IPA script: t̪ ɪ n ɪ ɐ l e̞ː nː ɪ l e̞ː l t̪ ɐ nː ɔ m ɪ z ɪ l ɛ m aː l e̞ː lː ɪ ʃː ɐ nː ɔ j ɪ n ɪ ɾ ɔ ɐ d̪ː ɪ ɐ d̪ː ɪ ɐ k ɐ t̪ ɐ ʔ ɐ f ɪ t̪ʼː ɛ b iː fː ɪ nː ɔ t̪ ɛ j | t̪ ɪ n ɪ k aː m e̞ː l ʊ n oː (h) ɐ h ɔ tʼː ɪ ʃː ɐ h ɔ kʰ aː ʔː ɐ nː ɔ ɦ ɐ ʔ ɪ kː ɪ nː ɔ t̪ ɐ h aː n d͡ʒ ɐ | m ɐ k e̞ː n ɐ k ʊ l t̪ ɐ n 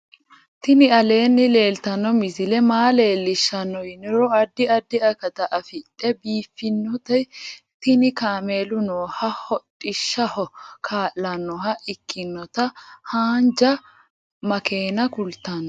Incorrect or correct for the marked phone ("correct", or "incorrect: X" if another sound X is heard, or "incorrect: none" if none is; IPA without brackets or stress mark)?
correct